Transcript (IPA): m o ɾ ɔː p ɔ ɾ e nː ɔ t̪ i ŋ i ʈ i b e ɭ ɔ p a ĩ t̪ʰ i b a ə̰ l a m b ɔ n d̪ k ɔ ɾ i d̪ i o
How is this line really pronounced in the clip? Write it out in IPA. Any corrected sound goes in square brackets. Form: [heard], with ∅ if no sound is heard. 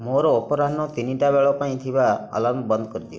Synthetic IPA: m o ɾ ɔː p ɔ ɾ [a] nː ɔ t̪ i [n] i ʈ [a] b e ɭ ɔ p a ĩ t̪ʰ i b a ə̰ l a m b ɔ n d̪ k ɔ ɾ i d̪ i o